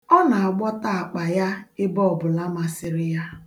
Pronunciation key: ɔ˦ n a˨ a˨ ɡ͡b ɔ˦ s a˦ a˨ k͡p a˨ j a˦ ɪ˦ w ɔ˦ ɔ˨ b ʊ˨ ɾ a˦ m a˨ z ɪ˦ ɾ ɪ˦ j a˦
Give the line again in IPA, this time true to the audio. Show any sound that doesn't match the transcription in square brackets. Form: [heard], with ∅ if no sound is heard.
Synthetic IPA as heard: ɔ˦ n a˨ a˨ ɡ͡b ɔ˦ [t] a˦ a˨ k͡p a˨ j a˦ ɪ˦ [b] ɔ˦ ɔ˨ b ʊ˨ [l] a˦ m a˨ [s] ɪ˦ ɾ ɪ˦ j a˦